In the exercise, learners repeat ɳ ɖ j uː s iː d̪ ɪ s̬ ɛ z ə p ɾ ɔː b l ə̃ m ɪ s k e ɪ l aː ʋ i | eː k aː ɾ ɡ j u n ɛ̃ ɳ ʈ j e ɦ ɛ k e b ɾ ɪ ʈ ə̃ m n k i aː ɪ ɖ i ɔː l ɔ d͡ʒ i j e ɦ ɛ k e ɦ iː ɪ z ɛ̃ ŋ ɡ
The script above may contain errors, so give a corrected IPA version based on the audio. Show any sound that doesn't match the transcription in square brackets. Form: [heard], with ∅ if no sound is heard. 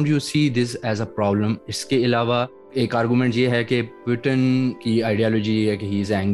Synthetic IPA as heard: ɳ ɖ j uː s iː d̪ ɪ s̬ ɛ z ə p ɾ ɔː b l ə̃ m ɪ s k e ɪ l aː ʋ [a] | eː k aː ɾ ɡ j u [m] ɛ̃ ɳ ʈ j e ɦ ɛ k e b ɾ ɪ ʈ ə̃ [∅] n k i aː ɪ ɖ i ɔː l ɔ d͡ʒ i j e ɦ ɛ k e ɦ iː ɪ z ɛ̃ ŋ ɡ